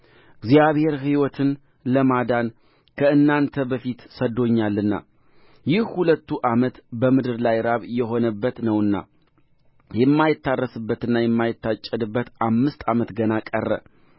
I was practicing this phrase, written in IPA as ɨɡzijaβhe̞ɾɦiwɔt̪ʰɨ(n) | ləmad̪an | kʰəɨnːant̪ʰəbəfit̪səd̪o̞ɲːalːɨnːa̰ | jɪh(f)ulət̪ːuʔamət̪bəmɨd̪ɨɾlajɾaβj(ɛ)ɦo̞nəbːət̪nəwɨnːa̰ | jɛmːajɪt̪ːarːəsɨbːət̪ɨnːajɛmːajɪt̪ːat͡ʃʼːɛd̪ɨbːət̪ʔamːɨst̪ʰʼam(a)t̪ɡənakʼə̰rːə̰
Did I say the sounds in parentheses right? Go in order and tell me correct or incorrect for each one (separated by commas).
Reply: correct, incorrect, correct, incorrect